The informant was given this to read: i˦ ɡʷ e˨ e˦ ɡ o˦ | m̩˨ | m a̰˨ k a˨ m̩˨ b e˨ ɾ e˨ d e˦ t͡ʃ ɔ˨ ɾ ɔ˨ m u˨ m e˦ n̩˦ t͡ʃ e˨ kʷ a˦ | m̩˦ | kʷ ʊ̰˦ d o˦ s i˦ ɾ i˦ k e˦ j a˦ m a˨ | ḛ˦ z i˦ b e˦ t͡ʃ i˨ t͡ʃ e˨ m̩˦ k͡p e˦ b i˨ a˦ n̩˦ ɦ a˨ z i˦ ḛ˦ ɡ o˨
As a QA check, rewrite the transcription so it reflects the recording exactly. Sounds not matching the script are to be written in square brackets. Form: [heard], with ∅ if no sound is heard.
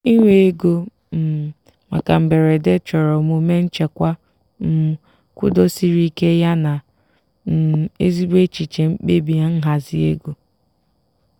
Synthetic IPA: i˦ [ŋʷ] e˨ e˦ ɡ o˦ | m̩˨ | m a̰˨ k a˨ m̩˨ b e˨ ɾ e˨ d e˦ t͡ʃ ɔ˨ ɾ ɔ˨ m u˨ m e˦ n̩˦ t͡ʃ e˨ kʷ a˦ | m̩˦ | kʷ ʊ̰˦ d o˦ s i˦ ɾ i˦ k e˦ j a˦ [n] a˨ | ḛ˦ z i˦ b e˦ t͡ʃ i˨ t͡ʃ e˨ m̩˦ k͡p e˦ b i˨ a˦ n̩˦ ɦ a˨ z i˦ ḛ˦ ɡ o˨